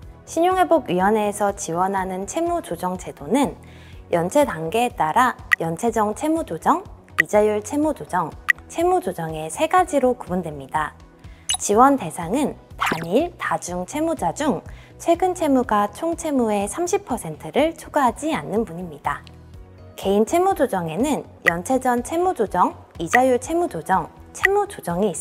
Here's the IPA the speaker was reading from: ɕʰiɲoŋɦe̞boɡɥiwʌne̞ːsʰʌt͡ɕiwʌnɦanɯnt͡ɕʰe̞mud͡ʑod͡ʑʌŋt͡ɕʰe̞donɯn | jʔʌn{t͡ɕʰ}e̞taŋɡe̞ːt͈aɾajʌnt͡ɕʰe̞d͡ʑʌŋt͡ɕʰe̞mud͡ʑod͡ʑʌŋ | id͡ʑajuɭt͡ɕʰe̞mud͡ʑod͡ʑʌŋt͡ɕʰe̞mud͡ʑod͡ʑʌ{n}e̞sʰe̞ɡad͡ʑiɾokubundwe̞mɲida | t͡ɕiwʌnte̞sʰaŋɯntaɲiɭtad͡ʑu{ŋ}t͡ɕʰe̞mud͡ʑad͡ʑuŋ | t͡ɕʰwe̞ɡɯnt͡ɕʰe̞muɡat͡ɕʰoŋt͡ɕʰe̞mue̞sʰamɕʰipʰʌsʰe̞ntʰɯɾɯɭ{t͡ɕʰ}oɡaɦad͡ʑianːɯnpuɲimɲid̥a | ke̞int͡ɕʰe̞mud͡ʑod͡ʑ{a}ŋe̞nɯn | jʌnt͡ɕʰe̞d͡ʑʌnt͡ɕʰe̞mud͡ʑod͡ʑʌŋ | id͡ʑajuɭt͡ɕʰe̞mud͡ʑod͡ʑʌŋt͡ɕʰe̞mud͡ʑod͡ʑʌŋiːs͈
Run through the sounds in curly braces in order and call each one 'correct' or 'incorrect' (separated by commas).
correct, incorrect, correct, correct, incorrect